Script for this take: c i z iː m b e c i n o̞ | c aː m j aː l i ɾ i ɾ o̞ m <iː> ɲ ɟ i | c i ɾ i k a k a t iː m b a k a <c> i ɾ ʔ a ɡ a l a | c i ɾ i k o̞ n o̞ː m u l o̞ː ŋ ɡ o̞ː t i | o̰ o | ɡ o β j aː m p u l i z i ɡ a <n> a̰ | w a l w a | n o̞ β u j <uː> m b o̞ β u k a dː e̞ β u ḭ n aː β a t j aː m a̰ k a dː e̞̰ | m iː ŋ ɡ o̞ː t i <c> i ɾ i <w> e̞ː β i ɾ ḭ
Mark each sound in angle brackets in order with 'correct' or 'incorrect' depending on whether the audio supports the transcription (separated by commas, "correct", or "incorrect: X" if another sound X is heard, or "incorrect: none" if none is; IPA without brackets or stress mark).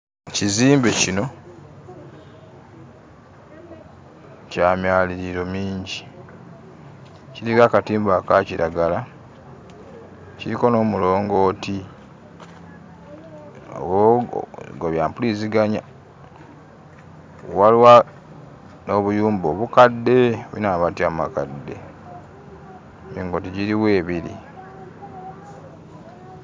correct, correct, incorrect: ɲ, correct, incorrect: ɟ, correct